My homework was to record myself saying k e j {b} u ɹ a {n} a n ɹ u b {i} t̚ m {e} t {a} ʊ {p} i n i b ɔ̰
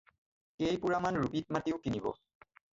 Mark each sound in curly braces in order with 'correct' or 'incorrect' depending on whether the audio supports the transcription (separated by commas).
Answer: incorrect, incorrect, correct, incorrect, incorrect, incorrect